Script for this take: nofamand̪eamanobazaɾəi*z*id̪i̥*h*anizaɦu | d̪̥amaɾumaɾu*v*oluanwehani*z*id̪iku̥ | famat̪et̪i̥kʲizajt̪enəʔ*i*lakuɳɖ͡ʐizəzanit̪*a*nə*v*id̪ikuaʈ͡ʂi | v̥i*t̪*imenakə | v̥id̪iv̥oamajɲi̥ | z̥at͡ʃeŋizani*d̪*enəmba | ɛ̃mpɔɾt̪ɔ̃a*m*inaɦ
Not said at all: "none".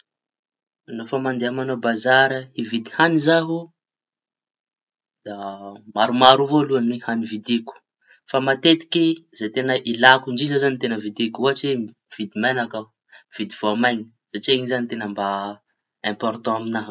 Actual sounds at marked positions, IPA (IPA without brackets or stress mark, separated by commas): v, h, v, v, i, e, v, d̪, t̪, m